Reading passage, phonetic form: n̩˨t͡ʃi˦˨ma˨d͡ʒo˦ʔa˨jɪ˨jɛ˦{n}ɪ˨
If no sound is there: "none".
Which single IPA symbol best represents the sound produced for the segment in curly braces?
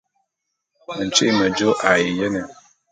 n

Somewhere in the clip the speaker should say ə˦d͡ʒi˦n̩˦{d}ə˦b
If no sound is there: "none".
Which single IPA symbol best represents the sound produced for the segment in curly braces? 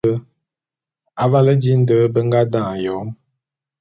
d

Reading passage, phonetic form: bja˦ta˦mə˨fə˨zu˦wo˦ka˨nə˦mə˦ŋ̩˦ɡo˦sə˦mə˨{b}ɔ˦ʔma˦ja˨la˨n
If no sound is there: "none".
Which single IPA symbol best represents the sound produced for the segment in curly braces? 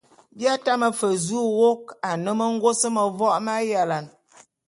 v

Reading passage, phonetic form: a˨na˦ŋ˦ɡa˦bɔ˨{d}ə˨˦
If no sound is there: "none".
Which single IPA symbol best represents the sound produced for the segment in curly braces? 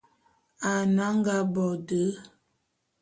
d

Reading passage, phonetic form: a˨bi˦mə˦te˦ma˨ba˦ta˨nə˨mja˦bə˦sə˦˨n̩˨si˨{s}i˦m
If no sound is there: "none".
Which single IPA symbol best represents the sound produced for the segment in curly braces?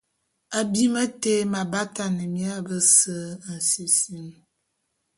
s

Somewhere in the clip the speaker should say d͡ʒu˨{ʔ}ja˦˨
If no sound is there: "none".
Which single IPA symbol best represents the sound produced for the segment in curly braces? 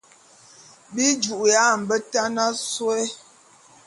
ʔ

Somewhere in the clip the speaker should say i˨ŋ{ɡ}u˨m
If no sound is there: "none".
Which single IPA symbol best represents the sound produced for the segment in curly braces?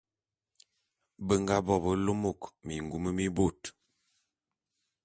ɡ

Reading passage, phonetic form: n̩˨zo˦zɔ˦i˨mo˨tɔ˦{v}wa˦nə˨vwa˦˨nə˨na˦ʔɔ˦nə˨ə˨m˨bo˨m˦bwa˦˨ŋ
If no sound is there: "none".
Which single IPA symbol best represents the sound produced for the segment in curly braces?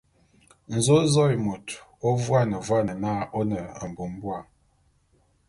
v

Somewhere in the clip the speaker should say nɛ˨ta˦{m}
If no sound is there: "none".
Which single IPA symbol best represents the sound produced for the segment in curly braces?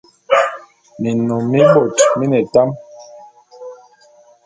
m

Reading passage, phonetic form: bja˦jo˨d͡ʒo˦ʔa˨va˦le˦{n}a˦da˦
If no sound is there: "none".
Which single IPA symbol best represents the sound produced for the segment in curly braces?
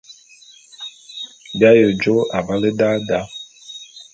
d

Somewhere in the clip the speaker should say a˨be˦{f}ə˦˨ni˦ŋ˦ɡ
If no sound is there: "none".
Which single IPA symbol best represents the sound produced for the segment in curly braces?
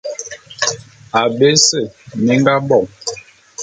s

